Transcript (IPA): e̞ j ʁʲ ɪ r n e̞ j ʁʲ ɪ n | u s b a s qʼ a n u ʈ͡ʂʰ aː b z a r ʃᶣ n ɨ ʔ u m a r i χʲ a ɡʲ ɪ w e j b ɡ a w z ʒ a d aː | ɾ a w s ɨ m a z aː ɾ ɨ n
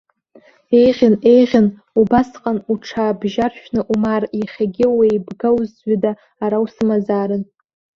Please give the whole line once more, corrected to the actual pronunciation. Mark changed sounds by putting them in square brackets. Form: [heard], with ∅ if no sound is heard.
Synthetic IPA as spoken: e̞ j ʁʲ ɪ [∅] n e̞ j ʁʲ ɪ n | u [∅] b a s qʼ a n u ʈ͡ʂʰ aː b [ʒ] a r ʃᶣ n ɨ ʔ u m a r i χʲ a ɡʲ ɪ w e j b ɡ a w z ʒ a d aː | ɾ a w s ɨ m a z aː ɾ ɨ n